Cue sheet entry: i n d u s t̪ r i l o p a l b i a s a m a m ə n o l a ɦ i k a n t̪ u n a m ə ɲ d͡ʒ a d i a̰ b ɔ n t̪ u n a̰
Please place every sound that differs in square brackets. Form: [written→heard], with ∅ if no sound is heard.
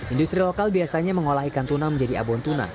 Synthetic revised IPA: i n d u s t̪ [r→ɾ] i l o [p→k] a l b i a s a [m→ɲ] a m ə [n→ŋ] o l a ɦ i k a n t̪ u n a m ə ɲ d͡ʒ a d i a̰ b ɔ n t̪ u n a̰